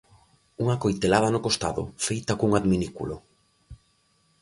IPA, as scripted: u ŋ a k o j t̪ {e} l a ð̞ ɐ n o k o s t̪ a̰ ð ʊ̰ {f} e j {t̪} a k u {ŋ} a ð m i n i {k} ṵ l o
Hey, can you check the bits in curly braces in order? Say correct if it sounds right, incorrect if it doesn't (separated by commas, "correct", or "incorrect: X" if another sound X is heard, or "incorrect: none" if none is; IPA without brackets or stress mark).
correct, correct, correct, correct, correct